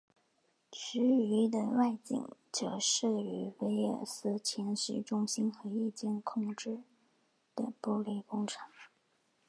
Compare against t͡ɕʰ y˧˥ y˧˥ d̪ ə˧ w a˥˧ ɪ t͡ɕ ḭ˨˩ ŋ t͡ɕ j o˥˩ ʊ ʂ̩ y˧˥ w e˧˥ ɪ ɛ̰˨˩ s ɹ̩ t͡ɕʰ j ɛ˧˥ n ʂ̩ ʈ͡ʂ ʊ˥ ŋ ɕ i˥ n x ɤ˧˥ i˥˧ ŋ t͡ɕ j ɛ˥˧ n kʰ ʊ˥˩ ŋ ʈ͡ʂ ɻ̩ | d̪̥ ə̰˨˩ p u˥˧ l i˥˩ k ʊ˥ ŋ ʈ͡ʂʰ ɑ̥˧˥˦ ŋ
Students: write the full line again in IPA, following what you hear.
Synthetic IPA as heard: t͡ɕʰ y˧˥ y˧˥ d̪ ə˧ w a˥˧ ɪ t͡ɕ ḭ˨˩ ŋ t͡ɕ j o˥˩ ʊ ʂ̩ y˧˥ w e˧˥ ɪ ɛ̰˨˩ s ɹ̩ t͡ɕʰ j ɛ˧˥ n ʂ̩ ʈ͡ʂ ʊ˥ ŋ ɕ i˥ n x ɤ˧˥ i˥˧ t͡ɕ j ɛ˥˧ n kʰ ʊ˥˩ ŋ ʈ͡ʂ ɻ̩ | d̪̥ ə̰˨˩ p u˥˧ l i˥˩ k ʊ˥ ŋ ʈ͡ʂʰ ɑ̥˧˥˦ ŋ